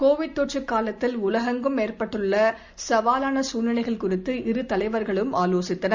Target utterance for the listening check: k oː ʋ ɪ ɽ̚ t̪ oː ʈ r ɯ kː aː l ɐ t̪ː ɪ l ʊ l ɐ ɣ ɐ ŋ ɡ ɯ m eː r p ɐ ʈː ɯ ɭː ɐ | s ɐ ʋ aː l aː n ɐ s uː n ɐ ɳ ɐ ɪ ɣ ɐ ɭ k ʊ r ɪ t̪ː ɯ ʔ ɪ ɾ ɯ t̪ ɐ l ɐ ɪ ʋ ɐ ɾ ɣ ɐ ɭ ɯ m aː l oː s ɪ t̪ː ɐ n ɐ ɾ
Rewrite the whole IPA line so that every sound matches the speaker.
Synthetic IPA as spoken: k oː ʋ ɪ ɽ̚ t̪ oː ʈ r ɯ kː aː l ɐ t̪ː ɪ l ʊ l ɐ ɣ ɐ ŋ ɡ ɯ m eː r p ɐ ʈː ɯ ɭː ɐ | s ɐ ʋ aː l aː n ɐ s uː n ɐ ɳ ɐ ɪ ɣ ɐ ɭ k ʊ r ɪ t̪ː ɯ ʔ ɪ ɾ ɯ t̪ ɐ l ɐ ɪ ʋ ɐ ɾ ɣ ɐ ɭ ɯ m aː l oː s ɪ t̪ː ɐ n ɐ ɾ